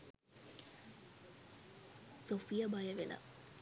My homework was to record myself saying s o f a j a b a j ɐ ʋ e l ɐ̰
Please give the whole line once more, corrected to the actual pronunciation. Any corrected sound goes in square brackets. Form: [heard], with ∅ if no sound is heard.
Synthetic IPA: s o f [i] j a b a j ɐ ʋ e l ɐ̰